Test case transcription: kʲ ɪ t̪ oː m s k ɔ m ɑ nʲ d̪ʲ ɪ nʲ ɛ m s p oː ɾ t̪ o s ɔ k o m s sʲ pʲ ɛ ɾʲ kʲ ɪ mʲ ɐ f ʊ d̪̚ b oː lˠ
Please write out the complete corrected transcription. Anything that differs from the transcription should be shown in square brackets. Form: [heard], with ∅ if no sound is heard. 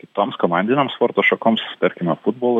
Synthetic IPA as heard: kʲ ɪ t̪ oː m s k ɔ m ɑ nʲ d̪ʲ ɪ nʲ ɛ m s p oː ɾ t̪ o [ʃ] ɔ k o m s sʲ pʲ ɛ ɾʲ kʲ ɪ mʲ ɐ f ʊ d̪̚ b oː lˠ